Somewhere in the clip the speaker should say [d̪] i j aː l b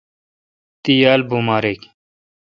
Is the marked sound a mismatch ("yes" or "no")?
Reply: yes